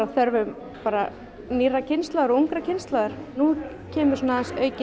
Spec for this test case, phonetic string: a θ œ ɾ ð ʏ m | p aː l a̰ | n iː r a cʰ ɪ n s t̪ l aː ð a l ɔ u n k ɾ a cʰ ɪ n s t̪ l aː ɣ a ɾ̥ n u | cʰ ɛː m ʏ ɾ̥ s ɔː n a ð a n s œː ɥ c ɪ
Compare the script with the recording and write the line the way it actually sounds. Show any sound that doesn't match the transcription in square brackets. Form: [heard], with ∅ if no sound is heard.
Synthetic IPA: a θ œ ɾ [v] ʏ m | p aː [ɾ] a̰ | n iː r a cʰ ɪ n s t̪ l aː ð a [ɾ] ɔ u [ŋ] k ɾ a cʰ ɪ n s t̪ l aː [ð] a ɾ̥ n u | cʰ ɛː m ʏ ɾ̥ s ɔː n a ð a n s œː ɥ c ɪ